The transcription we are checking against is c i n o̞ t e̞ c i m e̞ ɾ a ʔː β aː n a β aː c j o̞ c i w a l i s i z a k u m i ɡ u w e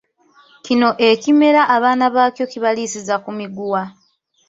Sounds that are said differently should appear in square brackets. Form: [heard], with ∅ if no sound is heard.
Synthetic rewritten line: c i n o̞ [ʔ] e̞ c i m e̞ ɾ a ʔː β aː n a β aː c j o̞ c i [β] a l i s i z a k u m i ɡ u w [a]

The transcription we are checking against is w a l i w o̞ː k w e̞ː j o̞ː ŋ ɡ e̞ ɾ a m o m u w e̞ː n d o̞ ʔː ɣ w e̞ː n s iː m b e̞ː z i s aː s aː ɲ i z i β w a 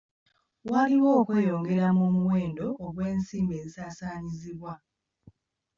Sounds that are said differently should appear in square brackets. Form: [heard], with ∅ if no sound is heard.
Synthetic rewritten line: w a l i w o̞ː k w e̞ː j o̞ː ŋ ɡ e̞ ɾ a m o m u w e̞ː n d o̞ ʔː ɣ w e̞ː n s iː m b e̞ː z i s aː s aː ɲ i z i β w a

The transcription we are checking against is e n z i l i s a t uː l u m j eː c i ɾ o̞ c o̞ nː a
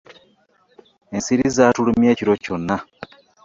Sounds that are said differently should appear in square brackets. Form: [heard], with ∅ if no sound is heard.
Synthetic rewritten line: e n [s] i [ɾ] i [z] a t [u] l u m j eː c i ɾ o̞ c o̞ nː a

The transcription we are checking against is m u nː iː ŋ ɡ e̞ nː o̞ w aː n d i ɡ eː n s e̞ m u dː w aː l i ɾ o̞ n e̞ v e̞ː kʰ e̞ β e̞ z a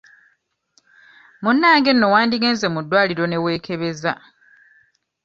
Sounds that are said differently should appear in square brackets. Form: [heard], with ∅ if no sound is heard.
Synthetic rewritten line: m u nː [aː] ŋ ɡ e̞ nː o̞ w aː n d i ɡ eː n [z] e̞ m u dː w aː l i ɾ o̞ n e̞ [w] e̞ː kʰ e̞ β e̞ z a

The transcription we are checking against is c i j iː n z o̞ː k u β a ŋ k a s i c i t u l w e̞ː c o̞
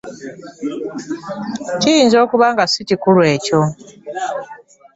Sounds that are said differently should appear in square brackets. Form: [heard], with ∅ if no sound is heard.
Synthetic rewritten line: c i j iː n z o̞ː k u β a ŋ [ɡ] a s i c i [k] u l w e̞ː c o̞

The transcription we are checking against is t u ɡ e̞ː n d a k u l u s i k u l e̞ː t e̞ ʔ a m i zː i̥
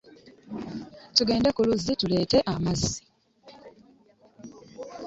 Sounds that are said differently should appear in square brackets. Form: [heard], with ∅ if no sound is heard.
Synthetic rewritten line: t u ɡ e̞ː n d [e] k u l u [z] i [t] u l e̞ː t e̞ ʔ a m [a] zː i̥

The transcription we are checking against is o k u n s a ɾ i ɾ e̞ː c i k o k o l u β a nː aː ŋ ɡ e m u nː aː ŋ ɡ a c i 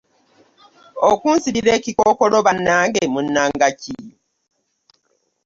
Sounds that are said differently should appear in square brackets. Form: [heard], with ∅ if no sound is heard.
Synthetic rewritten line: o k u n s [i] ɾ i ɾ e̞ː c i k o k o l [o] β a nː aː ŋ ɡ e m u nː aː ŋ ɡ a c i

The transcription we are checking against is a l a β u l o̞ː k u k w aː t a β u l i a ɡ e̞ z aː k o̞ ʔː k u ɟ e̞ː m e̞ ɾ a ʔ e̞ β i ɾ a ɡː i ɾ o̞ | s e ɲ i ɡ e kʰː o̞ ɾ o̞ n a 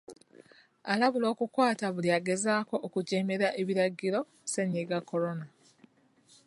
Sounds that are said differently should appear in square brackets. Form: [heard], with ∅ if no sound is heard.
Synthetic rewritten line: a l a β u l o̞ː k u k w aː t a β u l i a ɡ e̞ z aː k o̞ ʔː k u ɟ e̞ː m e̞ ɾ a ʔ e̞ β i ɾ a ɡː i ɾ o̞ | s e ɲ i ɡ [a] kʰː o̞ ɾ o̞ n a

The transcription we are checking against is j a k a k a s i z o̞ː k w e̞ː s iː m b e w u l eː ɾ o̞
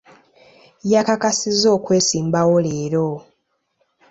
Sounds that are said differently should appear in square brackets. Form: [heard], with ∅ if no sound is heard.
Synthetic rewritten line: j a k a k a s i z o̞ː k w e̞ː s iː m b [a] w [o] l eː ɾ o̞

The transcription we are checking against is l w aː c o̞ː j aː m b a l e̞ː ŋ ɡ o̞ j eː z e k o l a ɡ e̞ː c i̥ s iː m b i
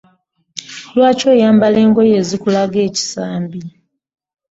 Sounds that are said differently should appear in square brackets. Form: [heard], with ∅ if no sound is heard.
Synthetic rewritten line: l w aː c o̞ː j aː m b a l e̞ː ŋ ɡ o̞ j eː z [i] k [u] l a ɡ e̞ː c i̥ s [aː] m b i

